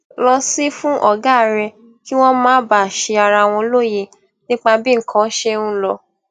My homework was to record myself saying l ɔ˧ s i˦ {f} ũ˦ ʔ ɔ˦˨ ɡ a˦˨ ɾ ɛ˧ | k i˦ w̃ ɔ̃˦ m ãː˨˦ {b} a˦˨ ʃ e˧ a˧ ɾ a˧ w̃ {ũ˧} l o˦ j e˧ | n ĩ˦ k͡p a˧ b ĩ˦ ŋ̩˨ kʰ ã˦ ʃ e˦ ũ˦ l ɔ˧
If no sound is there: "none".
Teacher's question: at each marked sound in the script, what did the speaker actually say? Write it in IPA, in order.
f, b, ɔ̃˧

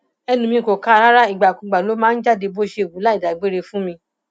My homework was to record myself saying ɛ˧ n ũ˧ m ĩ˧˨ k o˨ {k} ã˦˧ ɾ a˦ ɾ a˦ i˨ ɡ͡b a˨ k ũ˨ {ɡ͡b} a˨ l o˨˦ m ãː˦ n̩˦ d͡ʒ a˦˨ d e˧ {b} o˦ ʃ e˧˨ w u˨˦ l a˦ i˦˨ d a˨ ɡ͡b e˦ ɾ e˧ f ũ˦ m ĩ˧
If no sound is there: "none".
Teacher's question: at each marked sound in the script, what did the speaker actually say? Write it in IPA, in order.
k, ɡ͡b, b

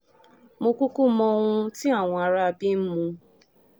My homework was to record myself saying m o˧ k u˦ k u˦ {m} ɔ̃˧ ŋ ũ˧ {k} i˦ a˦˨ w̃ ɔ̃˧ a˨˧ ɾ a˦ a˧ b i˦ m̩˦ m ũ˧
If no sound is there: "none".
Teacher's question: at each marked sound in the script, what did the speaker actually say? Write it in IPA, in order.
m, t

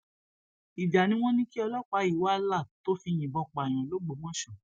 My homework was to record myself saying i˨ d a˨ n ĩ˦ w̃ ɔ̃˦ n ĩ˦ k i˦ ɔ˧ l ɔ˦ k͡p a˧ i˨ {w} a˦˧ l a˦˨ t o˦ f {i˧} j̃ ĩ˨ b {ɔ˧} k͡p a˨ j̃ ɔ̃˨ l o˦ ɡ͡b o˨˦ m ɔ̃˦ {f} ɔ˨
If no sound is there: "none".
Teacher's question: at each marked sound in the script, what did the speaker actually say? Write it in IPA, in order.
w, i˧, ɔ˧, ʃ

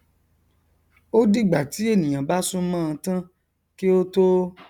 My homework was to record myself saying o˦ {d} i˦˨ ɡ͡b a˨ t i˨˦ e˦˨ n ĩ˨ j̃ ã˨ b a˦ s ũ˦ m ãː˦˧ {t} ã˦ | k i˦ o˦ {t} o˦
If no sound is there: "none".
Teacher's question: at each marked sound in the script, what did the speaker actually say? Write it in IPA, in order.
d, t, t

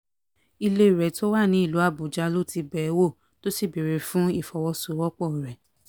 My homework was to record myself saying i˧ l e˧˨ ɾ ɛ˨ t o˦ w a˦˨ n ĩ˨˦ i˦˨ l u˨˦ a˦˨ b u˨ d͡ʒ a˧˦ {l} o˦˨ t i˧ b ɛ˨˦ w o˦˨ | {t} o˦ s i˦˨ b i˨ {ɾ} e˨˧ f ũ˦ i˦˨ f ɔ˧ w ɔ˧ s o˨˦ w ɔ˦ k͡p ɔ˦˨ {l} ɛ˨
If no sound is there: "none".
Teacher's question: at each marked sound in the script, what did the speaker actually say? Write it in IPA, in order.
l, t, ɾ, ɾ

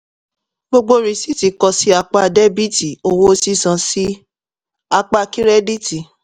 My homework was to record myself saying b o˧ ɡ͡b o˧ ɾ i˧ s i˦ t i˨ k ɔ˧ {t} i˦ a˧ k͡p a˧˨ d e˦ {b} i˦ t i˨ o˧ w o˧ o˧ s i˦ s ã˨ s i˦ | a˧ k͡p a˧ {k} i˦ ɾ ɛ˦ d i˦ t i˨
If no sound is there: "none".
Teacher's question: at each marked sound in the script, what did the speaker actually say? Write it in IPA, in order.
s, b, k

